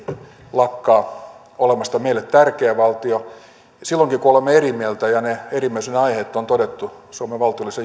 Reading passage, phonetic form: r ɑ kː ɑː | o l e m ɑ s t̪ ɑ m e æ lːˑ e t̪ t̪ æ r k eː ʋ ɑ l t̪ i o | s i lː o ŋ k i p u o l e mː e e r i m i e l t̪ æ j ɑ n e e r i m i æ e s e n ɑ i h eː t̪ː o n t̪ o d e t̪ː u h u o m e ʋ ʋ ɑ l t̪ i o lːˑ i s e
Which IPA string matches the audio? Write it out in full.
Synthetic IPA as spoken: l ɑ kː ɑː | o l e m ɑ s t̪ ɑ m e i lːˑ e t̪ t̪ æ r k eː ʋ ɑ l t̪ i o | s i lː o ŋ k i k u o l e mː e e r i m i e l t̪ æ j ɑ n e e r i m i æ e s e n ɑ i h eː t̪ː o n t̪ o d e t̪ː u s u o m e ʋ ʋ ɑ l t̪ i o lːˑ i s e